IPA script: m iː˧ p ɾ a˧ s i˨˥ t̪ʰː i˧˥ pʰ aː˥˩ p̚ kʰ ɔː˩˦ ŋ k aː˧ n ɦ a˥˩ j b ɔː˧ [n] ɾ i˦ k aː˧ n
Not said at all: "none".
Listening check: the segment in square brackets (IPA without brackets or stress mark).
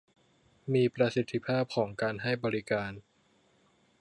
none